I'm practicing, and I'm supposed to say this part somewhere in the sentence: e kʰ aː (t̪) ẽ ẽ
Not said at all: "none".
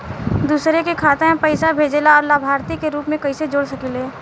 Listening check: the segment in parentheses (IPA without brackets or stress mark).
t̪